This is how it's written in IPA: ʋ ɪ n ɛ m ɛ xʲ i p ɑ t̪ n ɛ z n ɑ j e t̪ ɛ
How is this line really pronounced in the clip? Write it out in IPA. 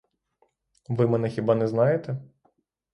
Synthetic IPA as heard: ʋ ɪ m ɛ n ɛ xʲ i b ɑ n ɛ z n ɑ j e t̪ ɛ